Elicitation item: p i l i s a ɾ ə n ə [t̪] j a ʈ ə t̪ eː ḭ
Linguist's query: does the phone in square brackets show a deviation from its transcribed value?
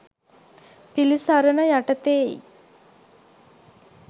yes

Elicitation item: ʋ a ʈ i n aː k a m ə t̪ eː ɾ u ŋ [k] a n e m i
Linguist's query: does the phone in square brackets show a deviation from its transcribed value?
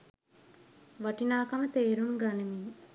yes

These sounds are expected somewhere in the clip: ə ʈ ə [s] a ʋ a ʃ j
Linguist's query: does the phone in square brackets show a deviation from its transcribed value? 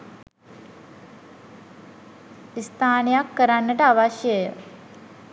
yes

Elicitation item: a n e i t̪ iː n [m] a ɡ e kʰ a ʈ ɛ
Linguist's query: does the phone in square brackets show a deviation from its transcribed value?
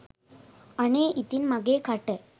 no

